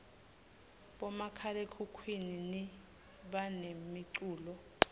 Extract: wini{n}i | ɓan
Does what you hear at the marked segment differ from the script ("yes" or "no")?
no